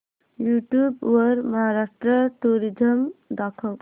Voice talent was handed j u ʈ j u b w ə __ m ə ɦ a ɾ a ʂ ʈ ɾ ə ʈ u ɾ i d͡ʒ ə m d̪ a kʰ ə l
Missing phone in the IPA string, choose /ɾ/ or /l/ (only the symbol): ɾ